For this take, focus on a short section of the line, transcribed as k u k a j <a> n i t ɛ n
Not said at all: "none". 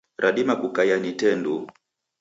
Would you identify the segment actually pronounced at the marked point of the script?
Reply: a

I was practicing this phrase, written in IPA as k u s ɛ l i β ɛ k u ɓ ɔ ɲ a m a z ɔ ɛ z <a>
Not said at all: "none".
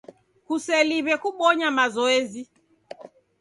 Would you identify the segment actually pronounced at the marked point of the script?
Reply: i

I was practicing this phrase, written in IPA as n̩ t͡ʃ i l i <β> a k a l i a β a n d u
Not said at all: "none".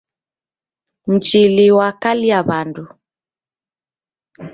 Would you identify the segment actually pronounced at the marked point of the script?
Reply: w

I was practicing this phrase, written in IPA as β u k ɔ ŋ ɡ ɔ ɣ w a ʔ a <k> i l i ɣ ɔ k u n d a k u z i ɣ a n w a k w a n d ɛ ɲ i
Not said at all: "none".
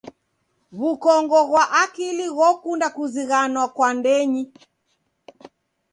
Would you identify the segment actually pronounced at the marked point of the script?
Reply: k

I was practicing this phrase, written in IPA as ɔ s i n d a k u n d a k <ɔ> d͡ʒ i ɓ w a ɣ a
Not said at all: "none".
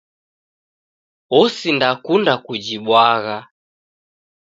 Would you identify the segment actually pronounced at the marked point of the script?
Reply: u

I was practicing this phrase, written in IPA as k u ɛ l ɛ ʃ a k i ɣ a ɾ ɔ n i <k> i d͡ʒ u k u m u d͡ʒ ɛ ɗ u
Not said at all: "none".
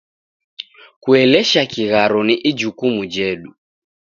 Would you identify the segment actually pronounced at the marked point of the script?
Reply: ʔ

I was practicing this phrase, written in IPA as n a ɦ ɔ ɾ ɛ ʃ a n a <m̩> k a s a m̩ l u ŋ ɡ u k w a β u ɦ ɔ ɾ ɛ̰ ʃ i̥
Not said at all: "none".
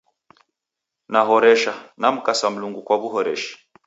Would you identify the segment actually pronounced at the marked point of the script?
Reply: m̩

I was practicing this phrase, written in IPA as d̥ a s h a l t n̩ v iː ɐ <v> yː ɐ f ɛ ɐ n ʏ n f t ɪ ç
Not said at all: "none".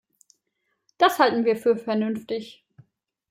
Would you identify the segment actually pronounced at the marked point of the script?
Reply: f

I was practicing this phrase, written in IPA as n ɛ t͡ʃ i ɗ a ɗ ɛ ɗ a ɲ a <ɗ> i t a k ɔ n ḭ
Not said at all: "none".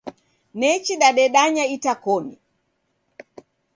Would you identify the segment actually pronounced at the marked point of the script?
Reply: none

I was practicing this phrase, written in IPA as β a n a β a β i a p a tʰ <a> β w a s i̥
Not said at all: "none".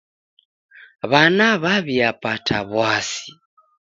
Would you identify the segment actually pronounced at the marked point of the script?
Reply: a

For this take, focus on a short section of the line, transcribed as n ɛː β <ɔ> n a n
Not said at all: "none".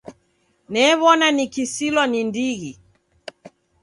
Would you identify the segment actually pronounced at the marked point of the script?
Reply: ɔ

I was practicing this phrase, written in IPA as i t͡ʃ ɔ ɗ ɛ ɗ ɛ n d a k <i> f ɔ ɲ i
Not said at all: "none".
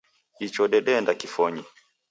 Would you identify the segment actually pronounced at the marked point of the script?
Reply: i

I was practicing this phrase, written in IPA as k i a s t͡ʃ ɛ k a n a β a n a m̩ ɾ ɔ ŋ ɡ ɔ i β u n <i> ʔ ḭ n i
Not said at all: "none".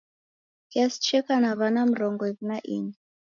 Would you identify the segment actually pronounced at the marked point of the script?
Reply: a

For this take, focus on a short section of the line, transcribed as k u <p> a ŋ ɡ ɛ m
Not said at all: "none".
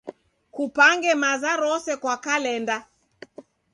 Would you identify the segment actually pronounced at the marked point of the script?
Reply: p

